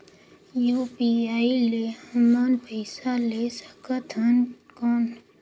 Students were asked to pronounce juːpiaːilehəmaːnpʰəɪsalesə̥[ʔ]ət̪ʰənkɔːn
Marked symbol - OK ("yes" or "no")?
no